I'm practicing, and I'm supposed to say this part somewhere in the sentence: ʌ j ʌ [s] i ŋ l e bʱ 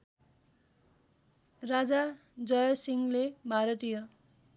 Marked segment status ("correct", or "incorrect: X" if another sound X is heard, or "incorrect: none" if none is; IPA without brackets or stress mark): correct